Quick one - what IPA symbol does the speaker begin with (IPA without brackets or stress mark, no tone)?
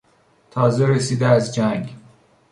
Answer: t̪ʰ